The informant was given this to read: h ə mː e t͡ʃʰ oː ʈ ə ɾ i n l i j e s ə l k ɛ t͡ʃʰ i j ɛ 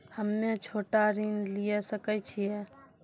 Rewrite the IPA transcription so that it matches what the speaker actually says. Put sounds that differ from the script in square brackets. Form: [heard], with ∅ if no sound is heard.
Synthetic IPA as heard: h ə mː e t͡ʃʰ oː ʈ [a] ɾ i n l i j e s ə [∅] k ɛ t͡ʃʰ i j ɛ